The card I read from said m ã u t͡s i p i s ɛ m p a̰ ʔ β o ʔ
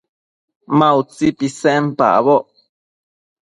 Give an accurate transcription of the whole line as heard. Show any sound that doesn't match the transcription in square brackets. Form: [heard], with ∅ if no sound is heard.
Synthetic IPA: m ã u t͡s i p i s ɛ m p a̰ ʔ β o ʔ